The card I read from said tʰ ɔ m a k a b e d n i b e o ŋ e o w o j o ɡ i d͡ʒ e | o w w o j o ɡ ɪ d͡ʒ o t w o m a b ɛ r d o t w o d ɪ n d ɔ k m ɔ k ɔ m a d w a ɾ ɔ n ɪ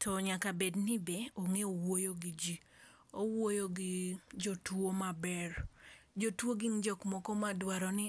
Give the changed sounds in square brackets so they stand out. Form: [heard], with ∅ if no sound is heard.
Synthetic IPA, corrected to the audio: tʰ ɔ [ɲ] a k a b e d n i b e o ŋ e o w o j o ɡ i d͡ʒ [i] | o w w o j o ɡ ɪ d͡ʒ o t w o m a b ɛ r [d͡ʒ] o t w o [ɡ] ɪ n [d͡ʒ] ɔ k m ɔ k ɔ m a d w a ɾ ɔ n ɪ